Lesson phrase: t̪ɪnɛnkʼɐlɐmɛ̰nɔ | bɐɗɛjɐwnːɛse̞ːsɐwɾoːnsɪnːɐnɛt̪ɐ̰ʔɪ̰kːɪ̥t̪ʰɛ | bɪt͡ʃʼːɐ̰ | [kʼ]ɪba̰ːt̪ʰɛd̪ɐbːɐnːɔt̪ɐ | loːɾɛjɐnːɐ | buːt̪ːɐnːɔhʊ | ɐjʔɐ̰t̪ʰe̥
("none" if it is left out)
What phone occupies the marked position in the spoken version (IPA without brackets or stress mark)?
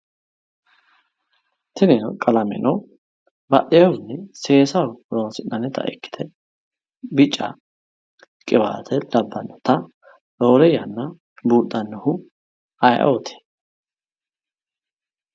kʼ